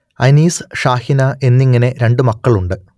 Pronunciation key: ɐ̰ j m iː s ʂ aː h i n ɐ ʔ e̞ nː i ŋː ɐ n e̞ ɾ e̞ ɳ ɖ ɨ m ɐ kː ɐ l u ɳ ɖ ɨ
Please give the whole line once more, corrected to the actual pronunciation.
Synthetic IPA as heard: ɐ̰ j n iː s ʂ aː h i n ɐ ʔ e̞ nː i ŋː ɐ n e̞ ɾ e̞ ɳ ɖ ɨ m ɐ kː ɐ ɭ u ɳ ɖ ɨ